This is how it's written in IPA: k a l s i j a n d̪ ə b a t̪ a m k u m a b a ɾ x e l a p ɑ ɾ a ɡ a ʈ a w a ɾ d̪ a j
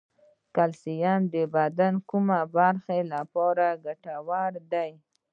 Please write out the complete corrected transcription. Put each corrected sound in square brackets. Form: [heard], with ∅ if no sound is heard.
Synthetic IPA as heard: k a l s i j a n d̪ ə b a [d̪] a [n] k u m a b a ɾ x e l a p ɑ ɾ a ɡ a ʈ a w a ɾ d̪ a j